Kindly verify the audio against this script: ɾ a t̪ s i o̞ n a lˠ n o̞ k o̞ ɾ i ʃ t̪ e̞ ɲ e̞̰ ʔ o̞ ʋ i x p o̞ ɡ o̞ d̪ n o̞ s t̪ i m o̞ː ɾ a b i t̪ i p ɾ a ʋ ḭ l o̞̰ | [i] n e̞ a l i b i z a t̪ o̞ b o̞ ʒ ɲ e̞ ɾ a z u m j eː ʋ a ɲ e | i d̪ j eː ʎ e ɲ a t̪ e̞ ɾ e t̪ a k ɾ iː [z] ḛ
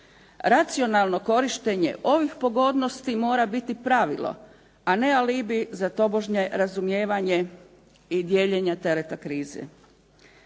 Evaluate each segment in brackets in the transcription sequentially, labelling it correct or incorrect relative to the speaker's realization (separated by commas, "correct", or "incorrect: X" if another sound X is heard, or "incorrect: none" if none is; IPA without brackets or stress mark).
incorrect: a, correct